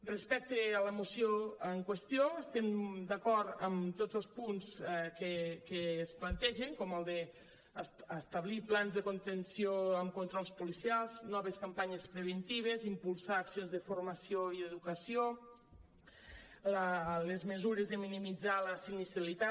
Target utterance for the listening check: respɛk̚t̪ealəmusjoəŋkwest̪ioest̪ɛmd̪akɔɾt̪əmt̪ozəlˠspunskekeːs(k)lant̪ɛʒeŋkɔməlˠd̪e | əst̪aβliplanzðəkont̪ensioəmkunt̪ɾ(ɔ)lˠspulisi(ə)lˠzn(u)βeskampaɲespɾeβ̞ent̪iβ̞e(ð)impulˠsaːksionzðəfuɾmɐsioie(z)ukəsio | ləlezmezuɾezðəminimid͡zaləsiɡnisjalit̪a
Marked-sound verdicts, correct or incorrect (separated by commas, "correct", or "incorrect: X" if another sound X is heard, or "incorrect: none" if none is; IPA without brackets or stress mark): incorrect: p, correct, incorrect: a, incorrect: ɔ, incorrect: z, incorrect: ð